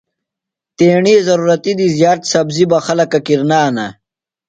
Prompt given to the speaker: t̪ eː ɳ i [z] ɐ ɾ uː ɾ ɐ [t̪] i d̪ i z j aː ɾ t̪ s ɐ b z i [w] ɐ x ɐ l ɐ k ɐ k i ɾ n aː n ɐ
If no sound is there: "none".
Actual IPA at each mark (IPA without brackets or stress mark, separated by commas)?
z, t̪, b